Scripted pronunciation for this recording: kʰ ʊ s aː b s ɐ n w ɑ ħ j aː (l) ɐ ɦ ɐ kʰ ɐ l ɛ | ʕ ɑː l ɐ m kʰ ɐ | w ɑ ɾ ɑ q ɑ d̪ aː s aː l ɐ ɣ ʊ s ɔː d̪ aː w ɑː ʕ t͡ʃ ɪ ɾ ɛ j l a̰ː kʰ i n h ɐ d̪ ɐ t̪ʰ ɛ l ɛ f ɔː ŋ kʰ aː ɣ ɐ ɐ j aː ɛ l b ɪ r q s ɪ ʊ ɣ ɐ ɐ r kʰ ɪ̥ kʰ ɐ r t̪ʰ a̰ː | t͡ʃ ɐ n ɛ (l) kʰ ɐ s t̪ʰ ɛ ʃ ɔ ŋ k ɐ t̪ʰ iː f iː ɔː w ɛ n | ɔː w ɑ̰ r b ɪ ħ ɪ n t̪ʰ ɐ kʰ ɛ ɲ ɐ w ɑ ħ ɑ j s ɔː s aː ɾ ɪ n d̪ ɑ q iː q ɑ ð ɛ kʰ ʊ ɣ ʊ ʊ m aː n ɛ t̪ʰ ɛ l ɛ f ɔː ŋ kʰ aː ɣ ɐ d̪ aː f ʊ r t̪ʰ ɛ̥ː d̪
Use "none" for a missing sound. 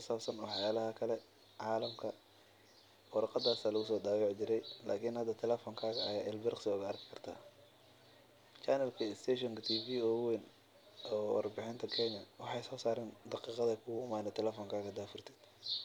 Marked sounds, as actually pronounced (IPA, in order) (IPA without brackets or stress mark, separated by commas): l, l